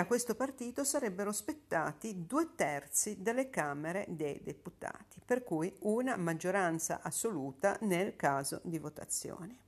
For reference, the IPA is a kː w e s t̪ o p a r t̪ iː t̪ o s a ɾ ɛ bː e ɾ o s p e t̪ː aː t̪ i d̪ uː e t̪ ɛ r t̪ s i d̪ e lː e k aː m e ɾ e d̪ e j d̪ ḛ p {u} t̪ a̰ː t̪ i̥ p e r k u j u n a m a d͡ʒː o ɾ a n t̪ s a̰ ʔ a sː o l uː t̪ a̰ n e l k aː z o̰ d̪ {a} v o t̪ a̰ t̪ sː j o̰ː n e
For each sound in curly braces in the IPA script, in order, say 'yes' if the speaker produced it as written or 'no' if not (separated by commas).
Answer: yes, no